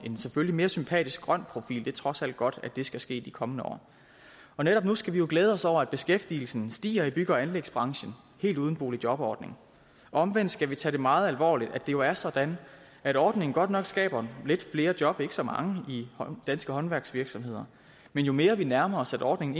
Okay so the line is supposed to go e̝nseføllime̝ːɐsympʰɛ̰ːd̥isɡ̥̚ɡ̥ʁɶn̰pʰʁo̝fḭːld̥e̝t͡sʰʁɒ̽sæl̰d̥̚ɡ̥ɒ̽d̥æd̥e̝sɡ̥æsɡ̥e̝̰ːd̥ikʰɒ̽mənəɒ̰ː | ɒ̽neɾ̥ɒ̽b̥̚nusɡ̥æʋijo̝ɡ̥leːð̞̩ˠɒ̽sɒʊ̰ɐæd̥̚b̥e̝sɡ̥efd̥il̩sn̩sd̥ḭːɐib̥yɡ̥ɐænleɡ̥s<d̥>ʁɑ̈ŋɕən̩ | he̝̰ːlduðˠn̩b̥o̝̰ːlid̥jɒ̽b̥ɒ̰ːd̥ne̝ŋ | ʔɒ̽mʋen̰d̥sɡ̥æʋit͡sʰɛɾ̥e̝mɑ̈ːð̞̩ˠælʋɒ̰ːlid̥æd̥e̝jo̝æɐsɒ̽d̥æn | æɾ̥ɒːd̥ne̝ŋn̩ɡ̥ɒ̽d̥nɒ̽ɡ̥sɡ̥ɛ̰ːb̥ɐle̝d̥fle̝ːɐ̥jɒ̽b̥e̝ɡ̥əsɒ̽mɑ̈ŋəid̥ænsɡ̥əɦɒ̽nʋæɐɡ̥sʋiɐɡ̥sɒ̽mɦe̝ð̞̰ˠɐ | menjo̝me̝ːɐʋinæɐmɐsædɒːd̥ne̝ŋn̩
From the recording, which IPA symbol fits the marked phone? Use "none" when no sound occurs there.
b̥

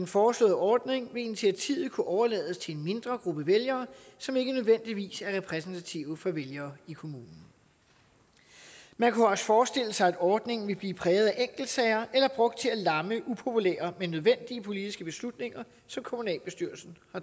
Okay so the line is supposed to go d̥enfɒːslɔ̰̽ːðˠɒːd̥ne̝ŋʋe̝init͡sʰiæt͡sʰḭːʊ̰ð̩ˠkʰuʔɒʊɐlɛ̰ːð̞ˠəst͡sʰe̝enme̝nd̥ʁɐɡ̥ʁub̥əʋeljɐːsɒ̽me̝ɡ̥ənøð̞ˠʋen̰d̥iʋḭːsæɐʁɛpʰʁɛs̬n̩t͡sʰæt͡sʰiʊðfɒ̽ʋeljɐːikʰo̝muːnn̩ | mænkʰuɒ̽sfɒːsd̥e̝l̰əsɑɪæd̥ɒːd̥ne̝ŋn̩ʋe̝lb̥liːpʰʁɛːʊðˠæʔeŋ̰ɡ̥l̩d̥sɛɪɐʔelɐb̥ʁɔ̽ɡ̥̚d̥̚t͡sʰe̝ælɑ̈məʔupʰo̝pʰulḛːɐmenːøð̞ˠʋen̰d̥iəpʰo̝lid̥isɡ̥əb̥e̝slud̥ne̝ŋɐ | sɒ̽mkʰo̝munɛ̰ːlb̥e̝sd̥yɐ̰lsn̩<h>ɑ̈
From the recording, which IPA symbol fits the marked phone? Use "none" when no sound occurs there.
h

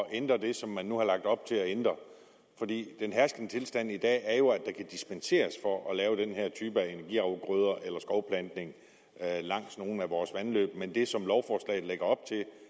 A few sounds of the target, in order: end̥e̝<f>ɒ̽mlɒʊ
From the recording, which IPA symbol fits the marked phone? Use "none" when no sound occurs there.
s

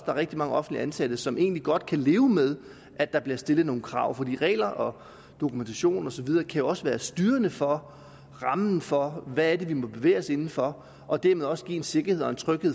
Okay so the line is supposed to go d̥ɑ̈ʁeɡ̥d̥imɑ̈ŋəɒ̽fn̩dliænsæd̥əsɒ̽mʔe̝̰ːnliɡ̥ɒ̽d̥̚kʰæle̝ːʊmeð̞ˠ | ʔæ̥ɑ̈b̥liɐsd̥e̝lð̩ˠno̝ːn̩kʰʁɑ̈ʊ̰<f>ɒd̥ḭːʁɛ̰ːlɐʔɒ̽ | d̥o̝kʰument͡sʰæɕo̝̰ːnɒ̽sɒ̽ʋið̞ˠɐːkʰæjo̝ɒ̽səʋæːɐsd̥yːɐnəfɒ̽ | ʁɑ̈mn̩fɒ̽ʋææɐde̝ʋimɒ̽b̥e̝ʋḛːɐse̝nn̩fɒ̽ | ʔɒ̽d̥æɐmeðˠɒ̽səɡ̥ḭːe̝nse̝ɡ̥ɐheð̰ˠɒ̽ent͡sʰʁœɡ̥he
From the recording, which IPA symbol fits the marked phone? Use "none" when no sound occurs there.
f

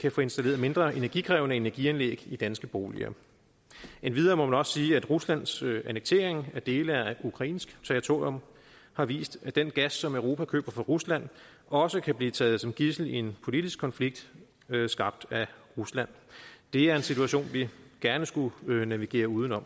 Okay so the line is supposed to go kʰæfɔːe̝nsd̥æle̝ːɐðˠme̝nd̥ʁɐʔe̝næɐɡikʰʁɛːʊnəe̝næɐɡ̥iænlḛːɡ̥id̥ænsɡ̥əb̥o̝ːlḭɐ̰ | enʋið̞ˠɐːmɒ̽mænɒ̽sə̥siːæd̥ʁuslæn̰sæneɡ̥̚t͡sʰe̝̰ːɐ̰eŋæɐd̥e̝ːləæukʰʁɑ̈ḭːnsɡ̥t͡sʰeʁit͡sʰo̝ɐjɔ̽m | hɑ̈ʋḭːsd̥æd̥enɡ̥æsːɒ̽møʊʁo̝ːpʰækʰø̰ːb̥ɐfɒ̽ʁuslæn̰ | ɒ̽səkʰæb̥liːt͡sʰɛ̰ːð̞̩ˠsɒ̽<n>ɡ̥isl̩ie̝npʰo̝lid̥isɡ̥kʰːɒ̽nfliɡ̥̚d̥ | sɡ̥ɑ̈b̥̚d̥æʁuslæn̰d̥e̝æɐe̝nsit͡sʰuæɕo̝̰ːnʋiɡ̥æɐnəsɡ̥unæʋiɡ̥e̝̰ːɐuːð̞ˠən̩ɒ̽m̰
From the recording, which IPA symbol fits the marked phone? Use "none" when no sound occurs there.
m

